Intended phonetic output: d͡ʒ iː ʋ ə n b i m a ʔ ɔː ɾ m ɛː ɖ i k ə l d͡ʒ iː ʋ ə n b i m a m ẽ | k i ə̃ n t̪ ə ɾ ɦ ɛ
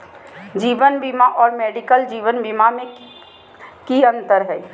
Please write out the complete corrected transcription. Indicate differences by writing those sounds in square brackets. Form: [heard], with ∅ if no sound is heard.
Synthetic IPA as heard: d͡ʒ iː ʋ ə n b i m a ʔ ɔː ɾ m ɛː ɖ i k ə l d͡ʒ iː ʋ ə n b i m a m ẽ | k i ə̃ n t̪ ə ɾ ɦ ɛ

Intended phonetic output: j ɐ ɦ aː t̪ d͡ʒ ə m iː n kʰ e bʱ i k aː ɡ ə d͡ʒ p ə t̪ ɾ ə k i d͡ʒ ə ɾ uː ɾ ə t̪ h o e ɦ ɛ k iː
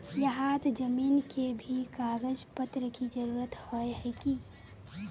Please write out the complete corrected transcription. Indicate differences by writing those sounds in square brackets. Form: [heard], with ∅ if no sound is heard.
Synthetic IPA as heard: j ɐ ɦ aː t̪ d͡ʒ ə m iː n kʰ e bʱ i k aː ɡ ə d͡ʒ p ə t̪ ɾ ə k i d͡ʒ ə ɾ uː ɾ ə t̪ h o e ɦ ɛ k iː

